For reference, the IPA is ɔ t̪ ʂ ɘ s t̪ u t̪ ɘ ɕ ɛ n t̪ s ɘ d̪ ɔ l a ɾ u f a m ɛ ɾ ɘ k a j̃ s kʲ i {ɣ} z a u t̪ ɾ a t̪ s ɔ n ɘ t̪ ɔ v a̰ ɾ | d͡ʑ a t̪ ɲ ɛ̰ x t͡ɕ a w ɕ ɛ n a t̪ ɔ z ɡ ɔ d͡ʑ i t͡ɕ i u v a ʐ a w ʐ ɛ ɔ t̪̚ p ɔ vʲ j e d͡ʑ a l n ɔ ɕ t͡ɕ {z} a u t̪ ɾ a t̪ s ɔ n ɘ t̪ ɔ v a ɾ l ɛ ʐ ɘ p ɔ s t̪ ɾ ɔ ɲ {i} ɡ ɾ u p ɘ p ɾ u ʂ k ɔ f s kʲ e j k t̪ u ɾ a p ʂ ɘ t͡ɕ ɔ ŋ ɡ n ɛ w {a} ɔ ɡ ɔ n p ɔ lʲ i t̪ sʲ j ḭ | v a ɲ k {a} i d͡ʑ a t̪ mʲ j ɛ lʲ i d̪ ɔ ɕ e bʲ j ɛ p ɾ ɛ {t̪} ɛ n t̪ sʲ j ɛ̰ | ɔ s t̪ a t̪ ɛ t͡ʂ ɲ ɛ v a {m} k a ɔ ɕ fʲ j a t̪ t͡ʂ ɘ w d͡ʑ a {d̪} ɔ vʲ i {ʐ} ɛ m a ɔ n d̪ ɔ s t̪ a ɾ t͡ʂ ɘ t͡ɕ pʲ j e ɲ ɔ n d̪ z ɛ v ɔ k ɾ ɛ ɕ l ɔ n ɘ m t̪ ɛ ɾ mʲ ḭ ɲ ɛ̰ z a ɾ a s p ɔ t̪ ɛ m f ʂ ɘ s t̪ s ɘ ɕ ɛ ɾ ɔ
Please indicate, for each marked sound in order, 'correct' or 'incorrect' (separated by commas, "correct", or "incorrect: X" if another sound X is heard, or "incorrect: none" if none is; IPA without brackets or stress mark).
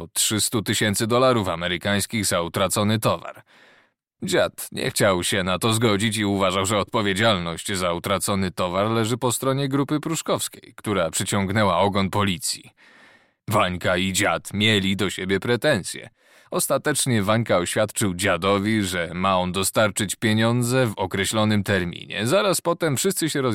correct, correct, incorrect: ɛ, correct, correct, correct, incorrect: ɲ, correct, correct